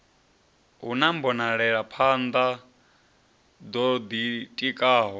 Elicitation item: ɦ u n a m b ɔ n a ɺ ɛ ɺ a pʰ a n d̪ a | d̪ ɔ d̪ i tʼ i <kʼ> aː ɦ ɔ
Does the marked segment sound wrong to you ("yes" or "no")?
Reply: no